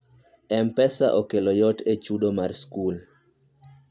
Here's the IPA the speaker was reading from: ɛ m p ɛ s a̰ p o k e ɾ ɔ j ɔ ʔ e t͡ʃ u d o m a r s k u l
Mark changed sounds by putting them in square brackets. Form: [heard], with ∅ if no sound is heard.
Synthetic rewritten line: ɛ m p ɛ s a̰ [ʔ] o k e [l] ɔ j ɔ [t] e t͡ʃ u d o m a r s k u l